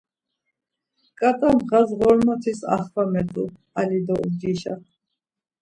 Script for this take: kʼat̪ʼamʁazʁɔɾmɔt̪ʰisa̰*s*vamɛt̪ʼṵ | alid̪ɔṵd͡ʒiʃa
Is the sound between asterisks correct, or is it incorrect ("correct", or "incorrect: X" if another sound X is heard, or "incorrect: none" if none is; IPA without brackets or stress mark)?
incorrect: χ